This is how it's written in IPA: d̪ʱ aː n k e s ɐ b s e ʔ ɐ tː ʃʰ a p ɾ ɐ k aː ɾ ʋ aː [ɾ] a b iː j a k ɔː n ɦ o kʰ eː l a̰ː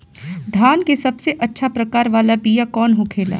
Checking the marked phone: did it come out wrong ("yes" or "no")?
yes